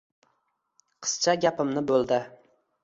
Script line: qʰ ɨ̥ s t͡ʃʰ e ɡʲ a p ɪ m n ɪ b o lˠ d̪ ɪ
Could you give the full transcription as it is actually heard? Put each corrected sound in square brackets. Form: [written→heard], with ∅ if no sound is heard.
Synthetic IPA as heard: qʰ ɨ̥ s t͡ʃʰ [e→a] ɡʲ a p ɪ m n ɪ b o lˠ d̪ ɪ

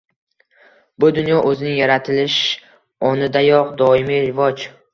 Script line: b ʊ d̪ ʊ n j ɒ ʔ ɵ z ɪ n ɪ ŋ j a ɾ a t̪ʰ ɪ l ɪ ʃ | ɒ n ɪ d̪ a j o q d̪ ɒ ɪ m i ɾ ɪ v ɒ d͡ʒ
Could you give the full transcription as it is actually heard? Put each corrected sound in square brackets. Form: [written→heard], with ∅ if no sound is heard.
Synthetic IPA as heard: b ʊ d̪ ʊ n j ɒ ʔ ɵ z ɪ n ɪ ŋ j a ɾ a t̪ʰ ɪ l ɪ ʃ | ɒ n ɪ d̪ a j [o→ɒ] q d̪ ɒ ɪ m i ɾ ɪ v ɒ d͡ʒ

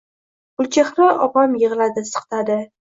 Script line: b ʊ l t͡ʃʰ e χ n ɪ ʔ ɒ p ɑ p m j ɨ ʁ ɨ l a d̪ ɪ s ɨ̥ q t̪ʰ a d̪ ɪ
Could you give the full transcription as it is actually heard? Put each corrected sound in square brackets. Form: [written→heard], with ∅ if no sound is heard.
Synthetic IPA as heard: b ʊ l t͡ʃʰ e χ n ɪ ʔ ɒ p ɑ [p→∅] m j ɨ ʁ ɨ l a d̪ ɪ s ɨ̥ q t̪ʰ a d̪ ɪ

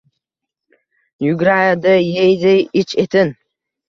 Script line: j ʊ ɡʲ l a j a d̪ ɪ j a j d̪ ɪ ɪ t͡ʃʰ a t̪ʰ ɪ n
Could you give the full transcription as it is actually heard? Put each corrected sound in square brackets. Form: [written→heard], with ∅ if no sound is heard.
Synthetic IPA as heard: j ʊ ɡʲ [l→ɾ] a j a d̪ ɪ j [a→e] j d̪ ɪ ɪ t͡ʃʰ [a→e] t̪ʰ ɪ n

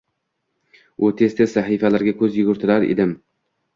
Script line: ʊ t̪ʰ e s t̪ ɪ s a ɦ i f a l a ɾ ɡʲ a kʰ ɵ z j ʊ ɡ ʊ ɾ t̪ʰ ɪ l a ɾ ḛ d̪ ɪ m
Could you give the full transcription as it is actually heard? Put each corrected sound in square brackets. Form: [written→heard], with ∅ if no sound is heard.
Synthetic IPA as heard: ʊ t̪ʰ e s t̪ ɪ s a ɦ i f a l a ɾ ɡʲ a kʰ ɵ z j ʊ ɡ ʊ ɾ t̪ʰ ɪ l a ɾ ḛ d̪ ɪ m

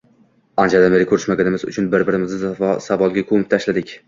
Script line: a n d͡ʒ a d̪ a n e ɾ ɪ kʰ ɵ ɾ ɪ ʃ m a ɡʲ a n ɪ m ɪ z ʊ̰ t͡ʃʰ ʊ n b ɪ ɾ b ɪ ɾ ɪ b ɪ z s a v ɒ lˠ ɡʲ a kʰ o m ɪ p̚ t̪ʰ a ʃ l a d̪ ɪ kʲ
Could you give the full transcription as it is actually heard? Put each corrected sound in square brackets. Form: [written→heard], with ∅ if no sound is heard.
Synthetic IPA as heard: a n d͡ʒ a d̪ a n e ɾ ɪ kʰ ɵ ɾ ɪ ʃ m a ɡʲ a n ɪ m ɪ z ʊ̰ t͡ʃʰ ʊ n b ɪ ɾ b ɪ ɾ ɪ [b→m] ɪ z s a v ɒ lˠ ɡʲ a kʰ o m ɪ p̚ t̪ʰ a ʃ l a d̪ ɪ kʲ

